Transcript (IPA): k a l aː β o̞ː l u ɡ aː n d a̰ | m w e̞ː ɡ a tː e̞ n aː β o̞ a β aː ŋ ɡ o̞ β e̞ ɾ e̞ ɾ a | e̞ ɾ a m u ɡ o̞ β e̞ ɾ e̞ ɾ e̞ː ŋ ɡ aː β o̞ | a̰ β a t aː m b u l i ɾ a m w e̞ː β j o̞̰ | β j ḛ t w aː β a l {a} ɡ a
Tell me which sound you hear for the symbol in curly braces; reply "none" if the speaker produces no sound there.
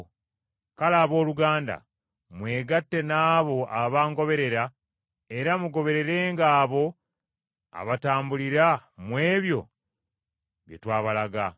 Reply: a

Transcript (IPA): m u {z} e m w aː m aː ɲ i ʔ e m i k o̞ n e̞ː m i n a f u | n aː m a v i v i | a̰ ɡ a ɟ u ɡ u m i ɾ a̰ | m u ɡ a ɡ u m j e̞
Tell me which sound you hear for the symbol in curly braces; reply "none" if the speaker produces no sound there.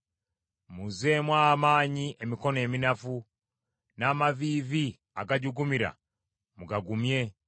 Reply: z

